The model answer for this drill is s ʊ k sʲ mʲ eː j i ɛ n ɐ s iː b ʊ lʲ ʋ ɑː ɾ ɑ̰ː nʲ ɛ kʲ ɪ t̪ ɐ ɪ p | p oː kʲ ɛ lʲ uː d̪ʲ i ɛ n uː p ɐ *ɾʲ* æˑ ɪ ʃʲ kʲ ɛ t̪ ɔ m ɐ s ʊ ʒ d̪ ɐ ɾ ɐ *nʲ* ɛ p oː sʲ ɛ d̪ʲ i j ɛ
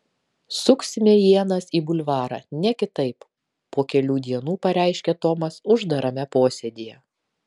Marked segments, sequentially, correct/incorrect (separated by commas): correct, incorrect